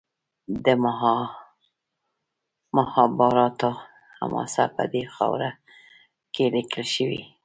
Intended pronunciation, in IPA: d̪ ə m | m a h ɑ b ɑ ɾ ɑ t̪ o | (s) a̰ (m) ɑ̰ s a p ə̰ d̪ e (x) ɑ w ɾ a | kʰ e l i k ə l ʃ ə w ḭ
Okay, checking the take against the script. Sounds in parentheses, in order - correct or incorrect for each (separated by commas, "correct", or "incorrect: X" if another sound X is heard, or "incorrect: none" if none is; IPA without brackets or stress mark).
incorrect: h, correct, correct